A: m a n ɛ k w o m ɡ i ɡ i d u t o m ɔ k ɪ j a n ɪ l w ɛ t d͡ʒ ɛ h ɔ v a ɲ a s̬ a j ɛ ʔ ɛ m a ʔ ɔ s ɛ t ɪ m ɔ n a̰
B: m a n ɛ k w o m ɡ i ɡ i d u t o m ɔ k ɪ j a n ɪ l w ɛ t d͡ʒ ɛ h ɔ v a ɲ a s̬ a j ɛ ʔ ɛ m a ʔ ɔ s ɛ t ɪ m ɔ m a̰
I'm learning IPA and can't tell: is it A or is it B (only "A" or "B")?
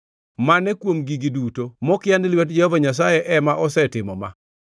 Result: B